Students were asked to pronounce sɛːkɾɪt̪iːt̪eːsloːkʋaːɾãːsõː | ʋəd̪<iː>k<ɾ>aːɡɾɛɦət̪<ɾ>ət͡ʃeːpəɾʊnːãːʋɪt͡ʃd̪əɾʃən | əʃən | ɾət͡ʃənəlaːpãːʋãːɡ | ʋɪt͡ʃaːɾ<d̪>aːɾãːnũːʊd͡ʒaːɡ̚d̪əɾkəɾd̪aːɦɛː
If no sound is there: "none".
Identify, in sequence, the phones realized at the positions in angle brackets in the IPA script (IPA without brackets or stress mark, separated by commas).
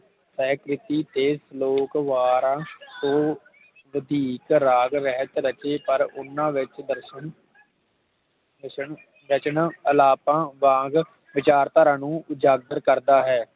iː, ɾ, ɾ, t̪